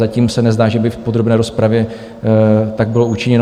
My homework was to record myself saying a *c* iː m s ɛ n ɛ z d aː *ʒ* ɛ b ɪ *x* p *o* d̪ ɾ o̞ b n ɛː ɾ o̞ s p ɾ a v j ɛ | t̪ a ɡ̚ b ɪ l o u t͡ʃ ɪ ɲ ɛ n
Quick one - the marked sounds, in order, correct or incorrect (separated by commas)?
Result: correct, correct, incorrect, correct